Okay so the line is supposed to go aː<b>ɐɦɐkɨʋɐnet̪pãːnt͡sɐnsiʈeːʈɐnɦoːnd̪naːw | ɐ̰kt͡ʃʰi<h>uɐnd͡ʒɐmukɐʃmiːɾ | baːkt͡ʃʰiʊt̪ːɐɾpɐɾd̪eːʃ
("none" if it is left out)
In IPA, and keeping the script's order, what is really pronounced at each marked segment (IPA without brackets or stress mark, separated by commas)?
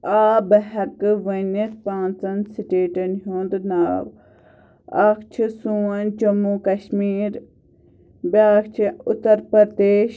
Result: b, s